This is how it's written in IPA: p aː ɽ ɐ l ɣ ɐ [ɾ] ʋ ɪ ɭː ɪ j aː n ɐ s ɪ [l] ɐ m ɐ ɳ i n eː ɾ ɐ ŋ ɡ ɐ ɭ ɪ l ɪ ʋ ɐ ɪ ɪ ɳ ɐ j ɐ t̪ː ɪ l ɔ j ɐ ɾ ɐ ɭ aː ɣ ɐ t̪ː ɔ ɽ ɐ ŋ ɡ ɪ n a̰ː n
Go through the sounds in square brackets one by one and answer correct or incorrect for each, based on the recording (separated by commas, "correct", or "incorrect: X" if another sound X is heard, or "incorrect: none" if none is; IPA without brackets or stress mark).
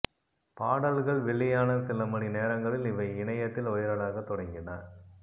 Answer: incorrect: ɭ, correct